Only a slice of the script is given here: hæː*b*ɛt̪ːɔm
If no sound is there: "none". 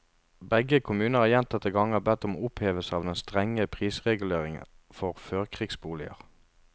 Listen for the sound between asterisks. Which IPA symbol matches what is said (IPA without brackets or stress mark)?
b